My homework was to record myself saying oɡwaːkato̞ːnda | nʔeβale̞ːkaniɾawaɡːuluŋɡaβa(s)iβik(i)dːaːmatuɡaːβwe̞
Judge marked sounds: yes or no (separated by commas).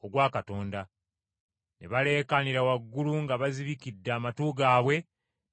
no, yes